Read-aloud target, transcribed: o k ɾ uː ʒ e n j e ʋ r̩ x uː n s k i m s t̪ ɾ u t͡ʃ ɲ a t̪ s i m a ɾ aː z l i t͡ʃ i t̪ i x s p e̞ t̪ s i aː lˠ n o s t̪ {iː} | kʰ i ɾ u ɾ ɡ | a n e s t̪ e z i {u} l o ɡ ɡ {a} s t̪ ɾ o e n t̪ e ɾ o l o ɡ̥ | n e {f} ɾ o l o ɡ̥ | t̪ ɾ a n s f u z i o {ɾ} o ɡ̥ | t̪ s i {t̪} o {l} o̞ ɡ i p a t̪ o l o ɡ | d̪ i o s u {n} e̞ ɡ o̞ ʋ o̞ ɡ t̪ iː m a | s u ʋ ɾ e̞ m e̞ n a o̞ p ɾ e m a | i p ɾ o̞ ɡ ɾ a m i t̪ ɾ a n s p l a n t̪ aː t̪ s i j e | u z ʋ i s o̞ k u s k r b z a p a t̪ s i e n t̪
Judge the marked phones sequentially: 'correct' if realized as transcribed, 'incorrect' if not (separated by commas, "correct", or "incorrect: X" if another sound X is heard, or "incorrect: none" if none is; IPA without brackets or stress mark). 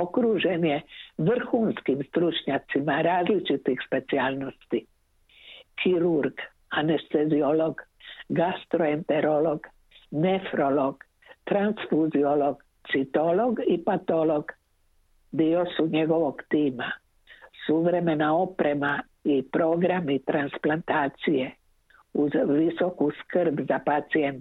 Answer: incorrect: i, incorrect: o, correct, correct, incorrect: l, correct, correct, incorrect: ɲ